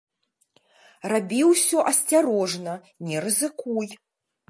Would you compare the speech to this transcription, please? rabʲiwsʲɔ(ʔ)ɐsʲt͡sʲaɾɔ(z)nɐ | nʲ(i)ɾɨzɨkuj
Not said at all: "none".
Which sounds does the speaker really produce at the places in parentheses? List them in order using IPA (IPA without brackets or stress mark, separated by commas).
ʔ, ʐ, ɛ